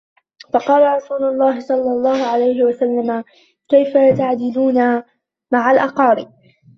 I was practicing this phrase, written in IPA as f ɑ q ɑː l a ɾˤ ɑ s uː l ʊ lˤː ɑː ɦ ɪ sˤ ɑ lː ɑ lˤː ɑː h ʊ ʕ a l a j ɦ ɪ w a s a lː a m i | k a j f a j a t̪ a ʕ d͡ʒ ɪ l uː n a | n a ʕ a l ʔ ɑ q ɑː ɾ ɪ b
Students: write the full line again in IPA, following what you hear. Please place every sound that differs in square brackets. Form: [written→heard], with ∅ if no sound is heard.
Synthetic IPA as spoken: f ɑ q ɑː l a ɾˤ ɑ s uː l ʊ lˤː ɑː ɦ ɪ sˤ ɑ lː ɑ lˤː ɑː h ʊ ʕ a l a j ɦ ɪ w a s a lː a m [i→a] | k a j f a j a t̪ a ʕ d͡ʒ ɪ l uː n a | [n→m] a ʕ a l ʔ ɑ q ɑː ɾ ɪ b